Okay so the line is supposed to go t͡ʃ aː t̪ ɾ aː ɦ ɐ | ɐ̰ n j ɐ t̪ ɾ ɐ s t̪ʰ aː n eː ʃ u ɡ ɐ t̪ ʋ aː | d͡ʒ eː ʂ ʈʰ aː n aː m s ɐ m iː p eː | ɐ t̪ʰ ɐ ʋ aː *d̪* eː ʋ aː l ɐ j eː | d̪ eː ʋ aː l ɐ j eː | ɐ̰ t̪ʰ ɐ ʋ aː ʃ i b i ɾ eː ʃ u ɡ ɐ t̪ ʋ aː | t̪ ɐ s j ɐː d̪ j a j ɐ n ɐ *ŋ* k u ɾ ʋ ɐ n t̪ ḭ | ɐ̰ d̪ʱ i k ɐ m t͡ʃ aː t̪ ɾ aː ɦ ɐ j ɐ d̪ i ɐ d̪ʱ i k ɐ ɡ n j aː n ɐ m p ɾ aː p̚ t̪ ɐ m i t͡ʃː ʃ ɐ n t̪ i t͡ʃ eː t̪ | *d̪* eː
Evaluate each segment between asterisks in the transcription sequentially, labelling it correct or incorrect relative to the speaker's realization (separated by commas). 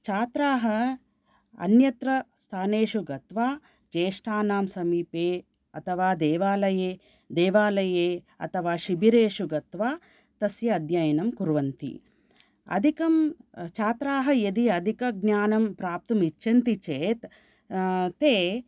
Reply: correct, incorrect, incorrect